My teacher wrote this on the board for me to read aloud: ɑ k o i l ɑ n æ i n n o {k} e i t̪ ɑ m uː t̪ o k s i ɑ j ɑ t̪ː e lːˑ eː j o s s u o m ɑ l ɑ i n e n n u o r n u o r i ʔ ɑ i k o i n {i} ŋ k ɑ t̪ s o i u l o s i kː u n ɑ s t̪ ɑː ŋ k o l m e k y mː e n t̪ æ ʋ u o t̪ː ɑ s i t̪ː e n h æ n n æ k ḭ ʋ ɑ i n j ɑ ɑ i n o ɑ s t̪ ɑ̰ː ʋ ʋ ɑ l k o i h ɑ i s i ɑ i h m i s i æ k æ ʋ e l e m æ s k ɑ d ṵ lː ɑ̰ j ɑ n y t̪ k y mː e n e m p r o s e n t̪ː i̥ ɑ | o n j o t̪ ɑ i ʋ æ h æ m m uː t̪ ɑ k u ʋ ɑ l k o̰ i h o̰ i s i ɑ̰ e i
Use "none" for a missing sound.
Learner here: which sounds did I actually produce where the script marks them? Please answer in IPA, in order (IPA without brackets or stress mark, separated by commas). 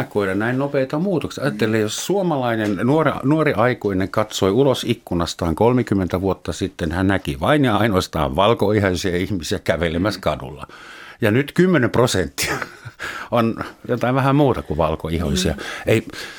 p, e